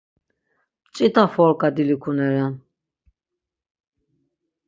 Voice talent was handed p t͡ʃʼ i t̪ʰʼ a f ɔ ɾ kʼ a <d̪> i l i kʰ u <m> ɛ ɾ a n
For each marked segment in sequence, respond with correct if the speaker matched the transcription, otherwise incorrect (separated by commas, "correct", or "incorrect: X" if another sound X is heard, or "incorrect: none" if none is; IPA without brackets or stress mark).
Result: correct, incorrect: n